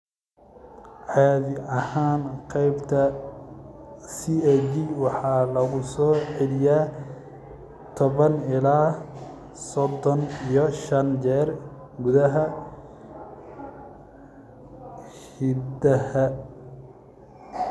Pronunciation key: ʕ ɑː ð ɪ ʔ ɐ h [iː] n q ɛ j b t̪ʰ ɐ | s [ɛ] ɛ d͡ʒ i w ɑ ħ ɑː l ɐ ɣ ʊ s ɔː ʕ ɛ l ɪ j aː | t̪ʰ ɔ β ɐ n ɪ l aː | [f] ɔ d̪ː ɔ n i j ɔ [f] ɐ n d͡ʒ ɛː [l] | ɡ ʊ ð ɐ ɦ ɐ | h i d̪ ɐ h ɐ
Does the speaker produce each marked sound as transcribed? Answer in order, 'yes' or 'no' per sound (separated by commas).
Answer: no, no, no, no, no